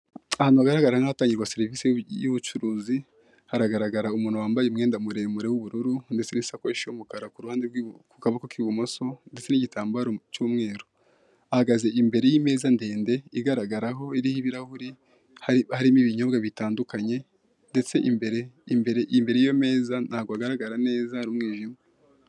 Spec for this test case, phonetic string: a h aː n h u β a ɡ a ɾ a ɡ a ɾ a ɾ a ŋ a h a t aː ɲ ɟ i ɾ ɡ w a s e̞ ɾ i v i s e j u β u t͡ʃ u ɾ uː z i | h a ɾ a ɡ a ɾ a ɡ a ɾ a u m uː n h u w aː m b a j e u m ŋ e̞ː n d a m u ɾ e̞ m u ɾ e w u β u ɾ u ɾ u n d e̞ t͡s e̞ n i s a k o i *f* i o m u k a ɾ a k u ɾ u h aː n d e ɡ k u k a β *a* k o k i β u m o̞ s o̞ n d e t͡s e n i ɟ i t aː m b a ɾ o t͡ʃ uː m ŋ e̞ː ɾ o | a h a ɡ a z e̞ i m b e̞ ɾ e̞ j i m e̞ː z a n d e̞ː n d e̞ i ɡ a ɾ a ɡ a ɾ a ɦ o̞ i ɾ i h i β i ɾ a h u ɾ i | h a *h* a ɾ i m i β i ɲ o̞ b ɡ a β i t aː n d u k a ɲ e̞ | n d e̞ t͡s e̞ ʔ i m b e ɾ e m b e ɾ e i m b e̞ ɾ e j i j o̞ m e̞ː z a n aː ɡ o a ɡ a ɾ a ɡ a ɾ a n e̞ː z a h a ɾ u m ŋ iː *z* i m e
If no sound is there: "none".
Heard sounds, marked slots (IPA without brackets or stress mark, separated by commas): ʃ, a, h, ʒ